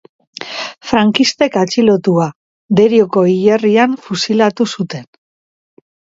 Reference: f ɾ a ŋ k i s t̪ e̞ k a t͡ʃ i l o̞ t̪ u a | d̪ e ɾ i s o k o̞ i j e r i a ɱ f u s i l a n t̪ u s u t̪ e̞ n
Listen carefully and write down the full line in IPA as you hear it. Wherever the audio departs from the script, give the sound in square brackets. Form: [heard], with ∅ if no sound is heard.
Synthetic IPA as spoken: f ɾ a ŋ k i s t̪ e̞ k a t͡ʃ i l o̞ t̪ u a | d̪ e ɾ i [∅] o k o̞ i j e r i a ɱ f u s i l a [∅] t̪ u s u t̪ e̞ n